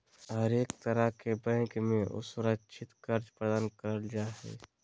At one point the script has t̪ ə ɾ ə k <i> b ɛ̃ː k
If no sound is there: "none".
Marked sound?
e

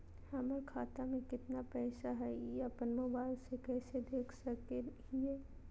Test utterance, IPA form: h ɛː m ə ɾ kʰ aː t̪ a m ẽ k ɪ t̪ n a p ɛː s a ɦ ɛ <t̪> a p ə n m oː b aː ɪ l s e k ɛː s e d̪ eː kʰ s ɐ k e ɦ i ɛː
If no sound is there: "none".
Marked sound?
none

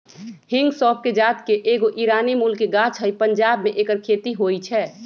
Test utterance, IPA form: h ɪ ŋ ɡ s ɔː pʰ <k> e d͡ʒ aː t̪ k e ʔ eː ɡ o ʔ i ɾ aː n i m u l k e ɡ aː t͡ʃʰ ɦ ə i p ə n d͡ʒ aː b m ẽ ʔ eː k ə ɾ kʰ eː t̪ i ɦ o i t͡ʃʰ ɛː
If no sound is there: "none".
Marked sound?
k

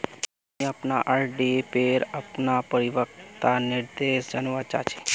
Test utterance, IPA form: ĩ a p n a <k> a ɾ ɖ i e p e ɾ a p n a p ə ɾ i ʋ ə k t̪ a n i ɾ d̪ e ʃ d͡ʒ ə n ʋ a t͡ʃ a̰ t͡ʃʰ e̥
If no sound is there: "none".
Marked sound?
ʔ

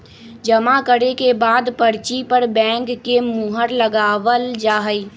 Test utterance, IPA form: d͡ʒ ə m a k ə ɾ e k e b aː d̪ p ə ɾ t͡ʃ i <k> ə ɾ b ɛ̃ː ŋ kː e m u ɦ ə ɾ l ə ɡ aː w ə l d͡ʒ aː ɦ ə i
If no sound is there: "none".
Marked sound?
p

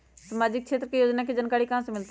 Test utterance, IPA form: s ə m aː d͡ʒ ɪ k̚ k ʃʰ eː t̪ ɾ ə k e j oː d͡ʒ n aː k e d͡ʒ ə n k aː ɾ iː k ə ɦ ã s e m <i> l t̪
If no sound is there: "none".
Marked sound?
ɪ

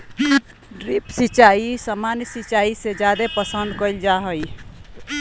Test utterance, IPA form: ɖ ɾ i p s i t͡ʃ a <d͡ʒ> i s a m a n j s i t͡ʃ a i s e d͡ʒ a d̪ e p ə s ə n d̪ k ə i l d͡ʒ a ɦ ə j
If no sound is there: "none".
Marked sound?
none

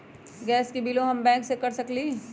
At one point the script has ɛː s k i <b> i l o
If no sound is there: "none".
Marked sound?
b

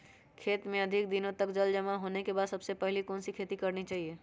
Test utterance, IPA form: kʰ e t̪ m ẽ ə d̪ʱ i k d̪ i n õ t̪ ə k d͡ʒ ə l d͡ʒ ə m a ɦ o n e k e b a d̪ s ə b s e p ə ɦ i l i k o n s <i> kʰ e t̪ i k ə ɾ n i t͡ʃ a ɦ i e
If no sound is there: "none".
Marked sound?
i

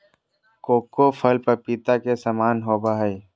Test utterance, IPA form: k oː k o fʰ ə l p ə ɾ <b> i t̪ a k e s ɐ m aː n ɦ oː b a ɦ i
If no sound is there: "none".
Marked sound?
p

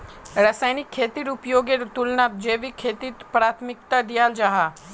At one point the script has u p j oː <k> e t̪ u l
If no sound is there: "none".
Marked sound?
ɡ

